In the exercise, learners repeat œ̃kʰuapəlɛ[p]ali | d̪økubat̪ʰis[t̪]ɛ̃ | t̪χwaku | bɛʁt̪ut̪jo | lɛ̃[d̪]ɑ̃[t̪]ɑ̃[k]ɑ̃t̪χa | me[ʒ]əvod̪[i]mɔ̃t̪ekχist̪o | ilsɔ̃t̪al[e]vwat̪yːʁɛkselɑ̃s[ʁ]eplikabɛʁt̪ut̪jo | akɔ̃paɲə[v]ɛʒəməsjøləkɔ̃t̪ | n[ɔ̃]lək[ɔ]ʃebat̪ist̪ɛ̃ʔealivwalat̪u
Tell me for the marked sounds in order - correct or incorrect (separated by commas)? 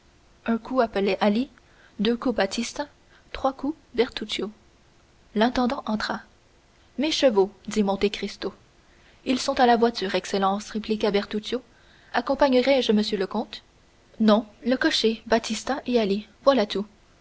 incorrect, correct, incorrect, incorrect, incorrect, incorrect, correct, incorrect, correct, incorrect, correct, correct